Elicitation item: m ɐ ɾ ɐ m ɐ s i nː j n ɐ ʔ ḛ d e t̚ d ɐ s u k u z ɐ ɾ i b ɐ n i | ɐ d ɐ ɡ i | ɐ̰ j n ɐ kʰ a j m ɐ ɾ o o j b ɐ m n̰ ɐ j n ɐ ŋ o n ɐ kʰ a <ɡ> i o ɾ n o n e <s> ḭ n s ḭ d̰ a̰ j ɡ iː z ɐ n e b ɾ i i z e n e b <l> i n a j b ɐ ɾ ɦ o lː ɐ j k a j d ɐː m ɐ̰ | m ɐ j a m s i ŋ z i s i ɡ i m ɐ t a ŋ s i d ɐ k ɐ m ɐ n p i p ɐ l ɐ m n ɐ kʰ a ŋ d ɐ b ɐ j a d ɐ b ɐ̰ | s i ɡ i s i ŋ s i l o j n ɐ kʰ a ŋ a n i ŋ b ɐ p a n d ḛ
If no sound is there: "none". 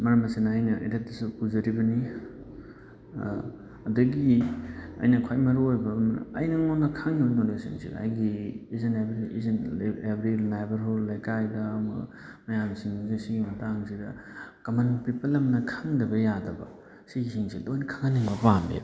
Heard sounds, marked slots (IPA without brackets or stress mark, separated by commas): ŋ, s, ɾ